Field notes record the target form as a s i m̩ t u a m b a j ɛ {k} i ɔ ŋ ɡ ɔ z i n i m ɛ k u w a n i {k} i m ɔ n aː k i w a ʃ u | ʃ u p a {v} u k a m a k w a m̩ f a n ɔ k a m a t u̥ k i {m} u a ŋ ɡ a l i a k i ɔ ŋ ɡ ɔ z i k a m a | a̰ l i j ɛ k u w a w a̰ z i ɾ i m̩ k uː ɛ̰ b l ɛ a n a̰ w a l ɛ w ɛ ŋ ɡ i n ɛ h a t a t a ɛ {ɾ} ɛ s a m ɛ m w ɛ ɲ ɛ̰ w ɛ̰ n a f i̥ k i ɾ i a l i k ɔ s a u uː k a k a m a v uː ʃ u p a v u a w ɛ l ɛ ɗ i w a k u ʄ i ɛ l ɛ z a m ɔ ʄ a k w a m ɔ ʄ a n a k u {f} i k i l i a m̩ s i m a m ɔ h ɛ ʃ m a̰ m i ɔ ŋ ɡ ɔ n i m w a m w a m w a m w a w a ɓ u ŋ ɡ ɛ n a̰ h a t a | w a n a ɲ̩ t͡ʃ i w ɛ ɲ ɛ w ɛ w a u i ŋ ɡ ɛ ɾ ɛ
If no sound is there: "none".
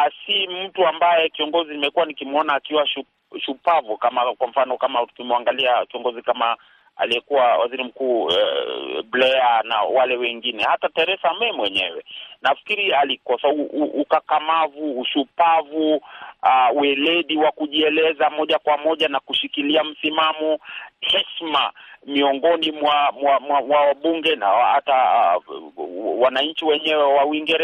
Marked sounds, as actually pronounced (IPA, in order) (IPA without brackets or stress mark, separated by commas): k, k, v, m, ɾ, ʃ